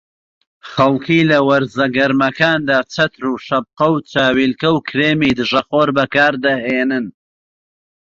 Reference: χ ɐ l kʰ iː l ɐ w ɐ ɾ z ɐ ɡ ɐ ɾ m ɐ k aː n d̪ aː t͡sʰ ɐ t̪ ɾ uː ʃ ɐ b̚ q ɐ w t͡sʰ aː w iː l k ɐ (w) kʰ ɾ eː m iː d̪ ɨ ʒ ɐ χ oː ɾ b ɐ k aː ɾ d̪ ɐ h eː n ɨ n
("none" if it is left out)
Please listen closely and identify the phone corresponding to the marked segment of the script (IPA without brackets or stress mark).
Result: w